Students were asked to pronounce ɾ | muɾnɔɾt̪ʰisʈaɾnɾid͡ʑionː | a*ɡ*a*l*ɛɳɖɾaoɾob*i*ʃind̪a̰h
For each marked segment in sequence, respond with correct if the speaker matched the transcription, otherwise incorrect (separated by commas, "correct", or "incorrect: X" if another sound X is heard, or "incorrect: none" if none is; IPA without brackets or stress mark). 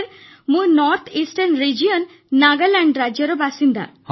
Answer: correct, correct, incorrect: a